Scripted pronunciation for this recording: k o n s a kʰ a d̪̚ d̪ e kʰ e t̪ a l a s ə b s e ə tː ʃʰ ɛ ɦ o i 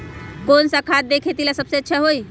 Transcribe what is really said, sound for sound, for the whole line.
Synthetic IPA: k o n s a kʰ a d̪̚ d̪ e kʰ e t̪ i l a s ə b s e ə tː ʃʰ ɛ ɦ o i